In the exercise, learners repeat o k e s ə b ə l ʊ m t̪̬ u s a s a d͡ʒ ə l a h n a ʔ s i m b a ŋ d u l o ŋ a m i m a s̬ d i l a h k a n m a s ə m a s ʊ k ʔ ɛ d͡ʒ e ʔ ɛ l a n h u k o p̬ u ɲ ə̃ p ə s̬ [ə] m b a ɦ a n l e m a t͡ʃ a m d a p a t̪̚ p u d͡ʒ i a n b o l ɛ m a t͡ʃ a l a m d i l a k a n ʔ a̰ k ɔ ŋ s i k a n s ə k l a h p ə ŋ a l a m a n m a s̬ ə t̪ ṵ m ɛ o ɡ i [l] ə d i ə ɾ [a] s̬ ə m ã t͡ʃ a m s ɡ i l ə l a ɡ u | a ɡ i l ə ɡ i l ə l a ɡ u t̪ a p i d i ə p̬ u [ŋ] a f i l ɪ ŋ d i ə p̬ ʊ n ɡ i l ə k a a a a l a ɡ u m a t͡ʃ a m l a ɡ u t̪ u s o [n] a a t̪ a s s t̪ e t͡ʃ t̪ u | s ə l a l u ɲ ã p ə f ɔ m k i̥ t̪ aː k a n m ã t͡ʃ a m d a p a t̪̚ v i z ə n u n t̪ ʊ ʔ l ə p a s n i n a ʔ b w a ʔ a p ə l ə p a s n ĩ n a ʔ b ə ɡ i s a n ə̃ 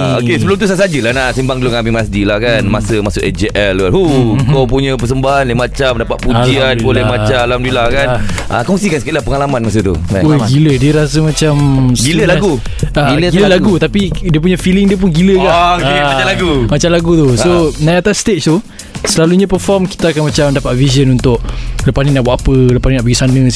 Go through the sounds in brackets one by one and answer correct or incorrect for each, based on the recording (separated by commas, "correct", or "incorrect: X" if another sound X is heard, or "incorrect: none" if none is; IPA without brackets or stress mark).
correct, correct, correct, incorrect: ɲ, correct